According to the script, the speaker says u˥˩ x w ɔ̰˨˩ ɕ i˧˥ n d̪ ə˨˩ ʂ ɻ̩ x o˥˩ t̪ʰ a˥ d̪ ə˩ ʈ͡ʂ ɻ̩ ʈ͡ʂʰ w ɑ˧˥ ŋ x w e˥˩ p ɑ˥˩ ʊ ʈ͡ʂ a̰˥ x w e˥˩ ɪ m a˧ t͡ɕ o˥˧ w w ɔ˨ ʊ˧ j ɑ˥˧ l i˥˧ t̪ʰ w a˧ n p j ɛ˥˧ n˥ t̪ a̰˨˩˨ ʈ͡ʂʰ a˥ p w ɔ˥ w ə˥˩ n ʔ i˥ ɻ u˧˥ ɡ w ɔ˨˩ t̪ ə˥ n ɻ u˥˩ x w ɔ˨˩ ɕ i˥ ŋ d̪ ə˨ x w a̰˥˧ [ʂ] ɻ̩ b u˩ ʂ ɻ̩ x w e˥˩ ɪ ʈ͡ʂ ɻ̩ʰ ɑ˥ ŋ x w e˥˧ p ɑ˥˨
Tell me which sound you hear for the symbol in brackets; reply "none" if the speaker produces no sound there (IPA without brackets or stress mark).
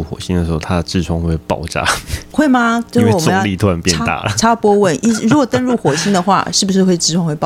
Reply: ʂ